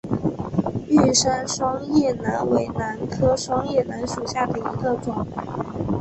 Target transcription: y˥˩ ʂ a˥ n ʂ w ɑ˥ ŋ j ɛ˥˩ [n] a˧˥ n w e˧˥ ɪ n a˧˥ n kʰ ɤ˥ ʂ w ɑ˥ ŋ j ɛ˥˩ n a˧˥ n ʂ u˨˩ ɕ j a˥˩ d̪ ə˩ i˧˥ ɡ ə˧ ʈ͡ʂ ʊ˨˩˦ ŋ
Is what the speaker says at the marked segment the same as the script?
yes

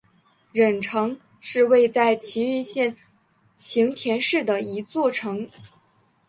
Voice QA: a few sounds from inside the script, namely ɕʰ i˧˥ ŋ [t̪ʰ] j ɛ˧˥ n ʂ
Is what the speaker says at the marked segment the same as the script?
yes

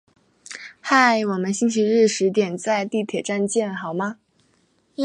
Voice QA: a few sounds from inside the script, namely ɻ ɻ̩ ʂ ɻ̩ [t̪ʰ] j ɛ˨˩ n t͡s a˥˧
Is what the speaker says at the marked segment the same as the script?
no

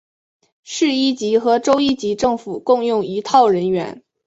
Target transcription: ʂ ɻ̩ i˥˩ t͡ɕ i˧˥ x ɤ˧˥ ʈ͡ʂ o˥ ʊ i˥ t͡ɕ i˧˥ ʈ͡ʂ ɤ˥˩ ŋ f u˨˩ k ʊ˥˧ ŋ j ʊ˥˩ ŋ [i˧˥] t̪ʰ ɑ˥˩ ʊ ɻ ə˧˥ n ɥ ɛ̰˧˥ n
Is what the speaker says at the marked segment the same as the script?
yes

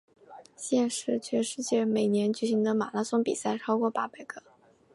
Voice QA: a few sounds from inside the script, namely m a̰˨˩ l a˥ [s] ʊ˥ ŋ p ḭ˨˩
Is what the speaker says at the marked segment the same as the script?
yes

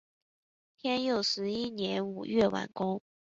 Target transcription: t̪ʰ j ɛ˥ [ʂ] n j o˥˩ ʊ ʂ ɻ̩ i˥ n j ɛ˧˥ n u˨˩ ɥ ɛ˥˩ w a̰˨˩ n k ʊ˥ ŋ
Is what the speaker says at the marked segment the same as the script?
no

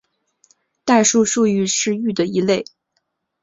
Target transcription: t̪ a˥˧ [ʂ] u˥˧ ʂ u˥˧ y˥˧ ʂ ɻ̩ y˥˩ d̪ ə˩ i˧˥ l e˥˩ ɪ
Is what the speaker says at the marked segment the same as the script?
yes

